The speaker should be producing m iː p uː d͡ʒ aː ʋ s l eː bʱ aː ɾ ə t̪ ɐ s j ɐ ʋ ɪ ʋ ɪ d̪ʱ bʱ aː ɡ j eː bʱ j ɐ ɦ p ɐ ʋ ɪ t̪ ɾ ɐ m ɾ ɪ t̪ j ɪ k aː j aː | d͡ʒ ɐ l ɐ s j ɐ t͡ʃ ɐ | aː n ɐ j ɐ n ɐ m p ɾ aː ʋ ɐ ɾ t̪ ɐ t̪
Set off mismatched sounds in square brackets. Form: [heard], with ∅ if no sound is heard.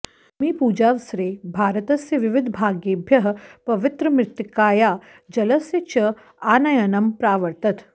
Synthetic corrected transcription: m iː p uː d͡ʒ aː ʋ s [ɾ] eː bʱ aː ɾ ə t̪ ɐ s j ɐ ʋ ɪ ʋ ɪ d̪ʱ bʱ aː ɡ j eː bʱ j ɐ ɦ p ɐ ʋ ɪ t̪ ɾ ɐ m ɾ ɪ t̪ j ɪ k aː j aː | d͡ʒ ɐ l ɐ s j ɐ t͡ʃ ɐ | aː n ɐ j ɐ n ɐ m p ɾ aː ʋ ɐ ɾ t̪ ɐ t̪